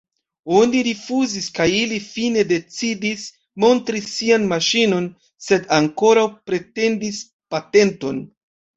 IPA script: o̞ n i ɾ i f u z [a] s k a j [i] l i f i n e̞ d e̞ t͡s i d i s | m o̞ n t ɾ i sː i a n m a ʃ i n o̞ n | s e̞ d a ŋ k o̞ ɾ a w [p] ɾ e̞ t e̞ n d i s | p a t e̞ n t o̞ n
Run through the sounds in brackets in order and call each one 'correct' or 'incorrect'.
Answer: incorrect: i, correct, correct

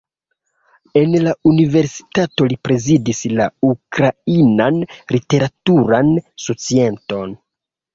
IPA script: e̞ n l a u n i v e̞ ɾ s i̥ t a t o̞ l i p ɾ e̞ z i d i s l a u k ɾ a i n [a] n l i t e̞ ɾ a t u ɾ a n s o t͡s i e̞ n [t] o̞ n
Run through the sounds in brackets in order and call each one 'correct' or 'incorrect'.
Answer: correct, correct

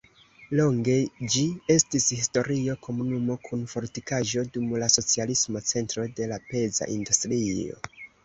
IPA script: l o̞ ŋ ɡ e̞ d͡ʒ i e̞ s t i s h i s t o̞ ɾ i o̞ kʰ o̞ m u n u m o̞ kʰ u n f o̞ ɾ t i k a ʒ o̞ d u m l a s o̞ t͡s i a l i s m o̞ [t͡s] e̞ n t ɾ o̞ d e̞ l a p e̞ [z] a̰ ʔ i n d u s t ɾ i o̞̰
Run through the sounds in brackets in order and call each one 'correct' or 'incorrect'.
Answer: correct, correct

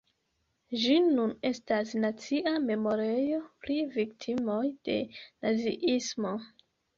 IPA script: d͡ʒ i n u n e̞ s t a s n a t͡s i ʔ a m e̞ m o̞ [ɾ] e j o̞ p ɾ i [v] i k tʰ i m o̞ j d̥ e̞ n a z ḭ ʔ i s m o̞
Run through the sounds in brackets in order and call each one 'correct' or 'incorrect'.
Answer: correct, correct

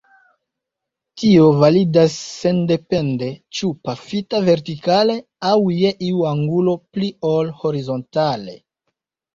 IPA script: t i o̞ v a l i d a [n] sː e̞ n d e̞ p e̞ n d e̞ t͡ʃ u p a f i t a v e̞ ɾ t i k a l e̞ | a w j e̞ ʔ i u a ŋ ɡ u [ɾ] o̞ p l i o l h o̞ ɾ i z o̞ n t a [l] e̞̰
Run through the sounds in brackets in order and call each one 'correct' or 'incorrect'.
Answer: incorrect: none, incorrect: l, correct

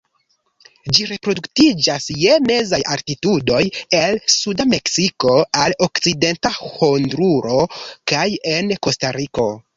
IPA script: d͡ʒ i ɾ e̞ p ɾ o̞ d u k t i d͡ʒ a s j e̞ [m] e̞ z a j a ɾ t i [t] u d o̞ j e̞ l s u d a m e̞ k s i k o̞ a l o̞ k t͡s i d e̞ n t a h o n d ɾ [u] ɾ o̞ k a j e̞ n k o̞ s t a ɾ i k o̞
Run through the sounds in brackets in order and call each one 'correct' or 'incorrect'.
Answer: correct, correct, correct

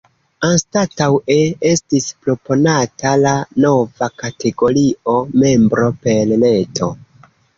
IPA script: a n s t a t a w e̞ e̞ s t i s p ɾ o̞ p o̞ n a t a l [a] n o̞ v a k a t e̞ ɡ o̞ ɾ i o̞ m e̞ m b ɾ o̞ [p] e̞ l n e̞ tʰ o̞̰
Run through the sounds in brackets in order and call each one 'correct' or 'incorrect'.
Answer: correct, correct

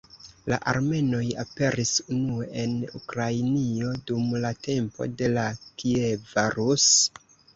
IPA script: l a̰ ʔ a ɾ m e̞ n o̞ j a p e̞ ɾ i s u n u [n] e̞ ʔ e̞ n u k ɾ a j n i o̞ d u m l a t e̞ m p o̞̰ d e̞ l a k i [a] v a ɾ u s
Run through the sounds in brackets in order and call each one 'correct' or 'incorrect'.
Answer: incorrect: none, incorrect: e

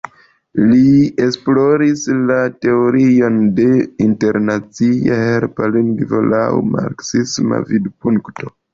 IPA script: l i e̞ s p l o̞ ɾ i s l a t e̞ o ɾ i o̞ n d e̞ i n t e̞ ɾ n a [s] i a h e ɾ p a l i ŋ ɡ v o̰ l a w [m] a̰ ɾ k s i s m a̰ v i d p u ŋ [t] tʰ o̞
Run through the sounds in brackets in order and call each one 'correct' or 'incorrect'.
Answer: incorrect: t͡s, correct, incorrect: k

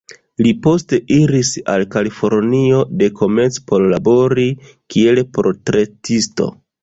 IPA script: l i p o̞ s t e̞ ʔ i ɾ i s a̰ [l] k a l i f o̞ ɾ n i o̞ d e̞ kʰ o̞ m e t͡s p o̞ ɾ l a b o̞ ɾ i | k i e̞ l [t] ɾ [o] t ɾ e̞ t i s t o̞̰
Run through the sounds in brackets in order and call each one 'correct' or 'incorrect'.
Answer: correct, incorrect: p, correct

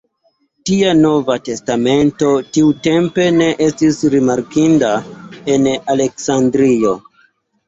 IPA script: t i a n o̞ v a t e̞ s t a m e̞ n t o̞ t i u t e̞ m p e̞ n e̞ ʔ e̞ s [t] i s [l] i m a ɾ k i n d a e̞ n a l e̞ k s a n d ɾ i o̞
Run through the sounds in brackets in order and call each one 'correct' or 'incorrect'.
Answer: correct, incorrect: ɾ

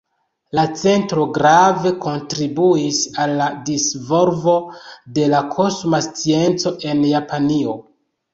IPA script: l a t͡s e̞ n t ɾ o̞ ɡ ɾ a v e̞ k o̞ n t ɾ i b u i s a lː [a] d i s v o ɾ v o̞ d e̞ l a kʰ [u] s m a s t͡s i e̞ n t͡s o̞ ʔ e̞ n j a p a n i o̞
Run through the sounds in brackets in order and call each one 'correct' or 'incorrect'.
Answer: correct, incorrect: o

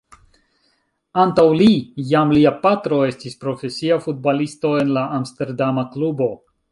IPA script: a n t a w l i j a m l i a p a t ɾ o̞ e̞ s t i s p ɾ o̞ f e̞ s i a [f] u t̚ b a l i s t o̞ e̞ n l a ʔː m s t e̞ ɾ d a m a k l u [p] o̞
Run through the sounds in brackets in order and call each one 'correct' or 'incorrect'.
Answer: correct, incorrect: b

